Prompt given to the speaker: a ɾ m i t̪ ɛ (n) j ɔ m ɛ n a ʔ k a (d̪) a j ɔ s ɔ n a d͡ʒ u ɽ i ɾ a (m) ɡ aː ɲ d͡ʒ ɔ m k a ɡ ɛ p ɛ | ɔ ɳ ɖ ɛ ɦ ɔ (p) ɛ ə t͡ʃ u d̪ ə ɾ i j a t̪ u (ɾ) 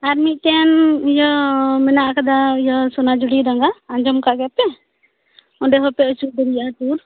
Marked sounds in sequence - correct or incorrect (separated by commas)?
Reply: correct, correct, incorrect, correct, correct